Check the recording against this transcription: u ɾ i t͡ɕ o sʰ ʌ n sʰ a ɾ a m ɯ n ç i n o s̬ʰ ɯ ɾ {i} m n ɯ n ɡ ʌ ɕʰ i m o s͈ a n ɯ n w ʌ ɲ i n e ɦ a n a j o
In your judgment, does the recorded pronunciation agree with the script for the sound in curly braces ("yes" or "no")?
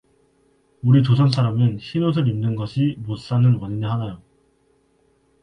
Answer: yes